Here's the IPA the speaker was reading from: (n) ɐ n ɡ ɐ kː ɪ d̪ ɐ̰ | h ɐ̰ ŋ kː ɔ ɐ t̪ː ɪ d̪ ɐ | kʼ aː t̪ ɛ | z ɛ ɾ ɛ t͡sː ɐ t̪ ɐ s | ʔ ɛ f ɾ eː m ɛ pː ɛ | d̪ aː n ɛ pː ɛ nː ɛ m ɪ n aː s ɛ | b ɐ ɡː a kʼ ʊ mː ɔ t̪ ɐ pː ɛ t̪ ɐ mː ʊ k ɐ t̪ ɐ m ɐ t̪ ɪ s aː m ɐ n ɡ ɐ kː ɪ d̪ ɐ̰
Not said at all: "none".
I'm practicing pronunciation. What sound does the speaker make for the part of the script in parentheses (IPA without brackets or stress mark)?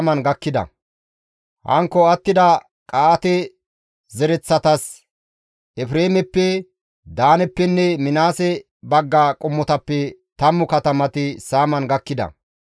m